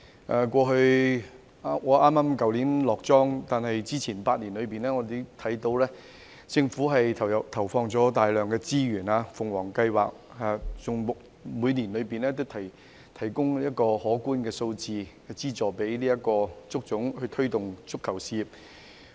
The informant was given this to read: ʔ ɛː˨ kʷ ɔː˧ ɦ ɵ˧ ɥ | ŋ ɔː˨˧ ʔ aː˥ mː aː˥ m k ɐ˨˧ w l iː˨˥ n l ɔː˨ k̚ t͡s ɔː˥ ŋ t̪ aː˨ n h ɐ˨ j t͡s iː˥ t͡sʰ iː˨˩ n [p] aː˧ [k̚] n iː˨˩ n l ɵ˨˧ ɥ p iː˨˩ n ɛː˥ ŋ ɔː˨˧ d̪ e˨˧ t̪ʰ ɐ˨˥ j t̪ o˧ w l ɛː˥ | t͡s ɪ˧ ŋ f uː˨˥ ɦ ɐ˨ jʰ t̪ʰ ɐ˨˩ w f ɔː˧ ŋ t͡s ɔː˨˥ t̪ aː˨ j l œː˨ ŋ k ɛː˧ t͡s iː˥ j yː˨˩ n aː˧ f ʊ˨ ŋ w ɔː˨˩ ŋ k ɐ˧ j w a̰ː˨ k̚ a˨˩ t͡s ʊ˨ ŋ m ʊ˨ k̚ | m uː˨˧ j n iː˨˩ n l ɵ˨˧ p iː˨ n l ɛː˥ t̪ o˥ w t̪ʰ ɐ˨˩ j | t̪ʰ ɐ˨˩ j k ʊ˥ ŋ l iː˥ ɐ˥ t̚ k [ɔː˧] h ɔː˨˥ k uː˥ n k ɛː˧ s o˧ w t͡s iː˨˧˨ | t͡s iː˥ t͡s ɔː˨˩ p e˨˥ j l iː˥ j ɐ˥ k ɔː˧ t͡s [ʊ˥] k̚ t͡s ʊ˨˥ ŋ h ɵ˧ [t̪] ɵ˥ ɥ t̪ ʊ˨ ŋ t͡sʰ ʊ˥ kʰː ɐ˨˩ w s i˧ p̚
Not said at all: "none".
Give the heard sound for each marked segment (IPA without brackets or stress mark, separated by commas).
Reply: p, t̚, ɔː˧, ʊ˥, t̪ʰ